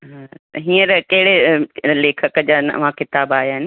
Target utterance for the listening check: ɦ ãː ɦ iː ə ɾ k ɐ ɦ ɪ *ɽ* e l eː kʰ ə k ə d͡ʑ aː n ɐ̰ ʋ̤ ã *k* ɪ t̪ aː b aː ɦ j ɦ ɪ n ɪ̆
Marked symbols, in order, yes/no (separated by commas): yes, yes